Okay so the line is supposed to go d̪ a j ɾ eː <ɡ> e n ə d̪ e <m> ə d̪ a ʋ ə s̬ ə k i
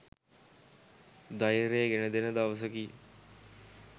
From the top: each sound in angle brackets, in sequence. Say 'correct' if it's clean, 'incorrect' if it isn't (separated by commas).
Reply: correct, incorrect